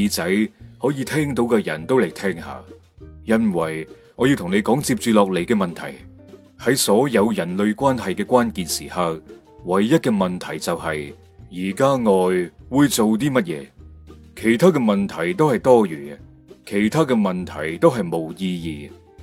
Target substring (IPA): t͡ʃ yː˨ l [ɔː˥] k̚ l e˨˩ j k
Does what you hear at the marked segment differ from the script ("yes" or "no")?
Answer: yes